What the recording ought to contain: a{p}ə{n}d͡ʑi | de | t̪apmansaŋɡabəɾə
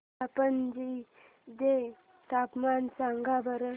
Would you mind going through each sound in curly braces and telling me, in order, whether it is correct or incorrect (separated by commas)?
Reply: correct, correct